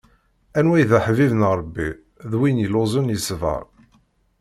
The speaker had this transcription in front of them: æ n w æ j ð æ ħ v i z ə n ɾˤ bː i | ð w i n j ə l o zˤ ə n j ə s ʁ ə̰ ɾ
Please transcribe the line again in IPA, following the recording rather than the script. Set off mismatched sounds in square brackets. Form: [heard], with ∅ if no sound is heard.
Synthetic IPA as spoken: æ n w æ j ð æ ħ v i [v] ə n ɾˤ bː i | ð w i n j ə l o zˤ ə n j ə s [v] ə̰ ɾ